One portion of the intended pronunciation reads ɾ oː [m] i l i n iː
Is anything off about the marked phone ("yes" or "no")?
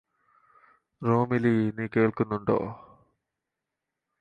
no